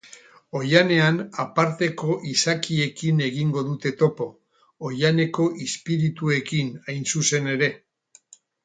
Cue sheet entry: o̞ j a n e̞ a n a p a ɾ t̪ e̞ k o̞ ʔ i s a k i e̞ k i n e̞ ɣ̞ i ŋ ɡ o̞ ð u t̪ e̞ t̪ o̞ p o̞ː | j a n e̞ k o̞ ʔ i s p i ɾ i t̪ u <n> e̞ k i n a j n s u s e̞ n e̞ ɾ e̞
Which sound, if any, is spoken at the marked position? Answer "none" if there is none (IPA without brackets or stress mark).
none